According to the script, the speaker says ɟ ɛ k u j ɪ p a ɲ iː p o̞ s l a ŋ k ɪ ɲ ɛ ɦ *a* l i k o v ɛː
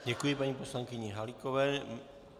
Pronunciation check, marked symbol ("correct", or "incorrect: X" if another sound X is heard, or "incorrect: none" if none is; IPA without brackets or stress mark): correct